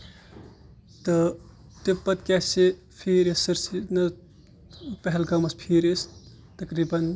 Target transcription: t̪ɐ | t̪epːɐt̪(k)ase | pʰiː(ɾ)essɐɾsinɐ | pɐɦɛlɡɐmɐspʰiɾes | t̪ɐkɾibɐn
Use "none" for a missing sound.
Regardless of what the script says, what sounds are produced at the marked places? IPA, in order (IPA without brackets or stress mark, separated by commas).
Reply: k, ɾ